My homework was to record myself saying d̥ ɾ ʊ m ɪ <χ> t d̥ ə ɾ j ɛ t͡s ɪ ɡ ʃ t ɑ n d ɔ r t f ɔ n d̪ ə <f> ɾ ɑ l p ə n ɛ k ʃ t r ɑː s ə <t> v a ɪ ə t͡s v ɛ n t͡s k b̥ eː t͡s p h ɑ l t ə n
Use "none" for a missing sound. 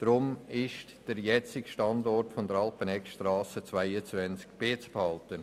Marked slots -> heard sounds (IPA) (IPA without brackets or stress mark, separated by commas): ʃ, none, t͡s